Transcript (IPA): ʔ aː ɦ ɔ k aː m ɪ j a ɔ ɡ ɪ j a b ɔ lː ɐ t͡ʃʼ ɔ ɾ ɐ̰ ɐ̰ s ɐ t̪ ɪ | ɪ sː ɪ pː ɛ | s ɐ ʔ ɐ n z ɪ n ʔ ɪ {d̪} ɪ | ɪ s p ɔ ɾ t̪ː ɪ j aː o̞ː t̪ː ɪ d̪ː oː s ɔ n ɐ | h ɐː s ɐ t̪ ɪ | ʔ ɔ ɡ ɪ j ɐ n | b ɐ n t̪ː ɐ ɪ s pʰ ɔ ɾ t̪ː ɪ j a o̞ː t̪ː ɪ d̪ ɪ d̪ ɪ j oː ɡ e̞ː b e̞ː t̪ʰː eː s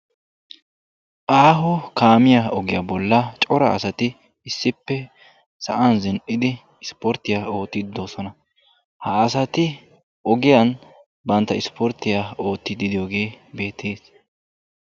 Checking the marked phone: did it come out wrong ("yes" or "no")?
no